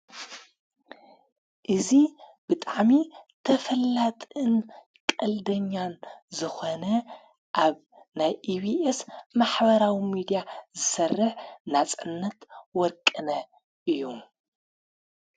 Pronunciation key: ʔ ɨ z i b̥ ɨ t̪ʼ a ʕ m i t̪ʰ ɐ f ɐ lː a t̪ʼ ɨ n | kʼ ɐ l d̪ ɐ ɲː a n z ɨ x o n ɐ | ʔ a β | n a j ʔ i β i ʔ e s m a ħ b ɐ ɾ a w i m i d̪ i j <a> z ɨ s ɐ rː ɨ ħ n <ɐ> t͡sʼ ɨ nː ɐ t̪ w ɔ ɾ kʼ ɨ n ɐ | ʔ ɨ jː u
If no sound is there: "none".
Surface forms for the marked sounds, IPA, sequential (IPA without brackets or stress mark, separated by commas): a, a